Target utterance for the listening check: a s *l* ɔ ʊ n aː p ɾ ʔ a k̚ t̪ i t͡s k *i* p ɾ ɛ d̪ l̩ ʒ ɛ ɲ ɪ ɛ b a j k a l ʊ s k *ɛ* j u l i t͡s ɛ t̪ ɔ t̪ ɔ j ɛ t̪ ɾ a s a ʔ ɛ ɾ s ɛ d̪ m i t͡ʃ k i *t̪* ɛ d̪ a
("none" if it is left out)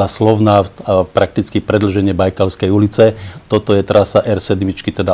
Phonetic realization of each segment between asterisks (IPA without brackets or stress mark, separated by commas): l, i, ɛ, t̪